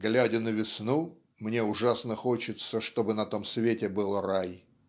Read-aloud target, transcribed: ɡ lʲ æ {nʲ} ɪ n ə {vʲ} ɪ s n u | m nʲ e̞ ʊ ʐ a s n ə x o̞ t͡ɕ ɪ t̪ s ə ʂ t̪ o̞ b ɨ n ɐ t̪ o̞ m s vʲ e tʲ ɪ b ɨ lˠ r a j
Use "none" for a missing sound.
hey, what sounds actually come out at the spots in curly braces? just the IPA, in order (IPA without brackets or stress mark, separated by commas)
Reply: dʲ, vʲ